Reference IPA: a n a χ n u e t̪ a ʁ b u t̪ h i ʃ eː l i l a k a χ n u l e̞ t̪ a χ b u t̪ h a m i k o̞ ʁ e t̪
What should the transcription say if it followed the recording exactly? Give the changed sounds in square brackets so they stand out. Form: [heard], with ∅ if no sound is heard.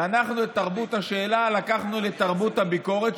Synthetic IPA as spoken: a n a χ n u e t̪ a ʁ b u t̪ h [a] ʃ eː l [a] l a k a χ n u l e̞ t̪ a [ʁ] b u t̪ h a [b] i k o̞ ʁ e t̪